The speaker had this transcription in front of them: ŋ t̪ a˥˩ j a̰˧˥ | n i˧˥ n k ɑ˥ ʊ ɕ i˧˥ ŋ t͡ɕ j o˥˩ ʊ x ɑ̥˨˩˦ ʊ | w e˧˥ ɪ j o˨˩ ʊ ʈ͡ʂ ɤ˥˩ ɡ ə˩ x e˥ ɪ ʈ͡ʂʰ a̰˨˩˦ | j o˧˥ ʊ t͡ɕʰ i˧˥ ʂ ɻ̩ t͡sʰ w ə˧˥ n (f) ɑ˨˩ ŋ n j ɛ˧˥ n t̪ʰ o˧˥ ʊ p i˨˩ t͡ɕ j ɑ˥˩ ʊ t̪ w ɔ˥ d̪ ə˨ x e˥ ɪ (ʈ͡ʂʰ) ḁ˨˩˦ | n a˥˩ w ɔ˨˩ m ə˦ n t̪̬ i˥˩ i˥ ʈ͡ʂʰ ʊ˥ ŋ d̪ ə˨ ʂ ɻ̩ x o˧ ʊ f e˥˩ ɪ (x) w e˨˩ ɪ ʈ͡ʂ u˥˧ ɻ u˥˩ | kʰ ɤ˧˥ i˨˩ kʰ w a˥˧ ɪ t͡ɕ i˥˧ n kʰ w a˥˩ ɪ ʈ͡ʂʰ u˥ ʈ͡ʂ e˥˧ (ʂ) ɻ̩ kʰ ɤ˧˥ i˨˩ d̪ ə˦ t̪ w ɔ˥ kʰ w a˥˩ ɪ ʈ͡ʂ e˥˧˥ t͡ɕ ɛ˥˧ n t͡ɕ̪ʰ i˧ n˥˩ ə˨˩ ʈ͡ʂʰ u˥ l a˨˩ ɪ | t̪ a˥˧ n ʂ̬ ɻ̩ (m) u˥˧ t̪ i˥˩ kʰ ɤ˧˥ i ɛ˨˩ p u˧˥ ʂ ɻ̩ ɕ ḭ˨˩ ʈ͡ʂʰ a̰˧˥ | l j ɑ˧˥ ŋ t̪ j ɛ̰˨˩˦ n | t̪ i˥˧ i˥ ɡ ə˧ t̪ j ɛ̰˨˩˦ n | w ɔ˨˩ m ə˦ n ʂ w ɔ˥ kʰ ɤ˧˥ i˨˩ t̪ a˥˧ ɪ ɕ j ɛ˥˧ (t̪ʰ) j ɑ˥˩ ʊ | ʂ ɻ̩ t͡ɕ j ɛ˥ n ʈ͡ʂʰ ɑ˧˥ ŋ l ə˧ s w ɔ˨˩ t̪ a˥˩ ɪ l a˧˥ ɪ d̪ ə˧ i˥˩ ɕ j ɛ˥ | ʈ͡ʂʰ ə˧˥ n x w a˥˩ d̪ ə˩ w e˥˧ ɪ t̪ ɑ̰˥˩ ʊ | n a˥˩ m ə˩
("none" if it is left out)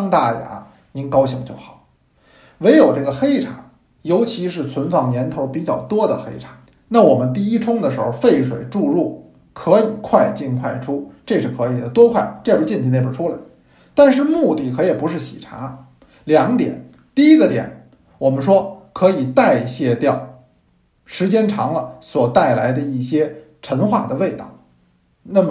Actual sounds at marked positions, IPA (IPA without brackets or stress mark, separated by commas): f, ʈ͡ʂʰ, ʂ, ʂ, m, t̪